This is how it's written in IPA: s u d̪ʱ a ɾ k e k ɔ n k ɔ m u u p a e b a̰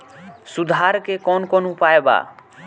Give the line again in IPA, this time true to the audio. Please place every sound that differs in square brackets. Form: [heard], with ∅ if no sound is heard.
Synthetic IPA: s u d̪ʱ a ɾ k e k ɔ n k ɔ [n] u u p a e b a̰

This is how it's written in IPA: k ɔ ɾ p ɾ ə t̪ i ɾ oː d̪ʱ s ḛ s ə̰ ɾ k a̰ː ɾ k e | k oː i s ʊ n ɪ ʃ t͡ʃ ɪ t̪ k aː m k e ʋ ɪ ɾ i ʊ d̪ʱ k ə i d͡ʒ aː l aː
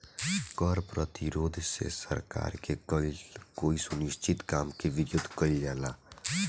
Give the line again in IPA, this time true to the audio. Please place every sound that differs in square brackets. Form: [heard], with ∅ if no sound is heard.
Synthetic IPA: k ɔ ɾ p ɾ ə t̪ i ɾ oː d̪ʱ s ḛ s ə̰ ɾ k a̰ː ɾ k e | k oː i s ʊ n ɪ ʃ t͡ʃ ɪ t̪ k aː m k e ʋ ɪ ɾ [j] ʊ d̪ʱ k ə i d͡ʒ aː l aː

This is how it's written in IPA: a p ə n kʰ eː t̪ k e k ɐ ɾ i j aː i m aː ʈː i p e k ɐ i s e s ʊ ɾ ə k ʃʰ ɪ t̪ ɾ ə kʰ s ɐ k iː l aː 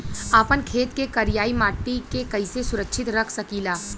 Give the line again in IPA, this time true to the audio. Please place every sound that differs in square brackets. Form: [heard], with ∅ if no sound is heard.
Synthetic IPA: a p ə n kʰ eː t̪ k e k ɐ ɾ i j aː i m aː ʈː i [k] e k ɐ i s e s ʊ ɾ ə k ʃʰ ɪ t̪ ɾ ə kʰ s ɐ k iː l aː

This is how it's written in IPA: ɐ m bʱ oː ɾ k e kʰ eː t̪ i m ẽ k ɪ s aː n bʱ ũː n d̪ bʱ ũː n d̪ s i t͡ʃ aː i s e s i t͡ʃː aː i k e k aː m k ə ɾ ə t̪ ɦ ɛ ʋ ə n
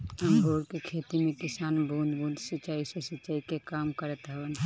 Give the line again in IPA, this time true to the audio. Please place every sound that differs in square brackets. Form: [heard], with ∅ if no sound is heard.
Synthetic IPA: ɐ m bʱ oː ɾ k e kʰ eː t̪ i m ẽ k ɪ s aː n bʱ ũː n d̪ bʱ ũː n d̪ s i t͡ʃ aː i s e s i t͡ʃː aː i k e k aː m k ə ɾ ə t̪ ɦ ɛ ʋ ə n

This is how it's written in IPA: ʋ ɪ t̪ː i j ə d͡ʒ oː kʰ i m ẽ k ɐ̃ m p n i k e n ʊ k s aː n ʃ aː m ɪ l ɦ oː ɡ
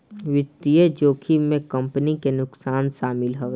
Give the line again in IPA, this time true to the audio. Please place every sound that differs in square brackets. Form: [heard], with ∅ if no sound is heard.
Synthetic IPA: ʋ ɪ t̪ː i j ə d͡ʒ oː kʰ i m ẽ k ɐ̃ m p n i k e n ʊ k s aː n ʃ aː m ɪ l ɦ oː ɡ

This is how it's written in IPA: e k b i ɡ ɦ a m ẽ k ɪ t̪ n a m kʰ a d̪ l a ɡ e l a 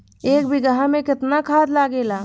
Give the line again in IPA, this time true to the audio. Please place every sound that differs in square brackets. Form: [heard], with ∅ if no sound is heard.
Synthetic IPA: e k b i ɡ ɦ a m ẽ k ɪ t̪ n a [∅] kʰ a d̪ l a ɡ e l a

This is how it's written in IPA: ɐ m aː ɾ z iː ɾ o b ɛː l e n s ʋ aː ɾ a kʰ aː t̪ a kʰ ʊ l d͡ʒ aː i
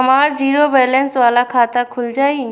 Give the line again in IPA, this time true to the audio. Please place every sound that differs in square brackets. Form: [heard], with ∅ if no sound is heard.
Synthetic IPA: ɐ m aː ɾ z iː ɾ o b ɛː l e n s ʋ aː [l] a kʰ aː t̪ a kʰ ʊ l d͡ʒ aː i

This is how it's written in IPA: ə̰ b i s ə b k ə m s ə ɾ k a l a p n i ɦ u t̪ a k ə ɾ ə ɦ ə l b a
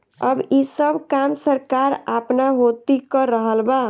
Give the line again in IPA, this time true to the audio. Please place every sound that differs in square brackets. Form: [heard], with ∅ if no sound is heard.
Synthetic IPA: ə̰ b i s ə b k [a] m s ə ɾ k a [ɾ] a p n [a] ɦ [o] t̪ [i] k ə ɾ ə ɦ ə l b a

